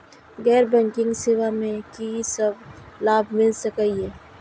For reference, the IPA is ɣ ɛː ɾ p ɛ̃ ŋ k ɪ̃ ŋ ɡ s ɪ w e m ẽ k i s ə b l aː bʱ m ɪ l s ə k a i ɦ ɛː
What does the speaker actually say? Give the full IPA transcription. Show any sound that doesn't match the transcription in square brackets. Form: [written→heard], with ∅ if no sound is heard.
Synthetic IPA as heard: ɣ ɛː ɾ [p→b] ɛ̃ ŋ k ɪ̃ ŋ ɡ s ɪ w [e→a] m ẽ k i s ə b l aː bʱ m ɪ l s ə k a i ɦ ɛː